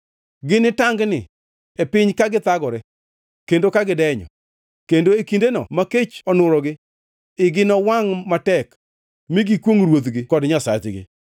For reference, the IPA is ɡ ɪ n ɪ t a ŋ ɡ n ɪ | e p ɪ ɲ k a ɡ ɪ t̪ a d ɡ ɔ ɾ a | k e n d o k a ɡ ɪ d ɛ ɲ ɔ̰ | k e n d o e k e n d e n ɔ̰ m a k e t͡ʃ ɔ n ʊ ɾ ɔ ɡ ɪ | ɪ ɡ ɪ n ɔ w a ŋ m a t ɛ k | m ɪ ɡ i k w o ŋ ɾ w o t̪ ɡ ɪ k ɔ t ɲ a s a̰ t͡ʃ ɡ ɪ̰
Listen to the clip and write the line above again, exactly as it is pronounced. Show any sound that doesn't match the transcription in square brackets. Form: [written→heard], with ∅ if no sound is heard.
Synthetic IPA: ɡ ɪ n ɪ t a ŋ ɡ n ɪ | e p ɪ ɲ k a ɡ ɪ t̪ a [d→∅] ɡ ɔ ɾ [a→ɛ] | k e n d o k a ɡ ɪ d ɛ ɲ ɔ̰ | k e n d o e k [e→i] n d e n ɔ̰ m a k e t͡ʃ ɔ n ʊ ɾ ɔ ɡ ɪ | ɪ ɡ ɪ n ɔ w a ŋ m a t ɛ k | m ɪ ɡ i k w o ŋ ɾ w o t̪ ɡ ɪ k ɔ [t→d] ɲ a s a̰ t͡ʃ ɡ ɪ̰